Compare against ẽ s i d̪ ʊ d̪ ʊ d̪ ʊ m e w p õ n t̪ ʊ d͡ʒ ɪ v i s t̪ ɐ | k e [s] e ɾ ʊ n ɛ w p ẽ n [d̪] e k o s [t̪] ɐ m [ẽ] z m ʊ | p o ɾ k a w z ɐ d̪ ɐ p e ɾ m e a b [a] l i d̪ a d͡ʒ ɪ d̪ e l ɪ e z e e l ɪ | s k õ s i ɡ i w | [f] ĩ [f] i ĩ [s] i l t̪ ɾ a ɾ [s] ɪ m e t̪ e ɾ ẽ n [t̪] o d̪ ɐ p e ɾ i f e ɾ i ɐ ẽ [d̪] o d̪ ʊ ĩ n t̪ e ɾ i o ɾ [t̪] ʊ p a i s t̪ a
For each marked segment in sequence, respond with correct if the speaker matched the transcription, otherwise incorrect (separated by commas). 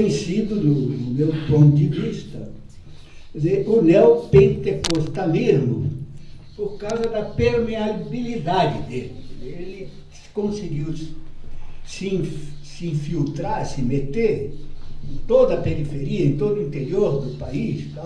incorrect, incorrect, correct, incorrect, incorrect, incorrect, incorrect, incorrect, correct, correct, incorrect, incorrect